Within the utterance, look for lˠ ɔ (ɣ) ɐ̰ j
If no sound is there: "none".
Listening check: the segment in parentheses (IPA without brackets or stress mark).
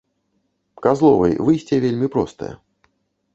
v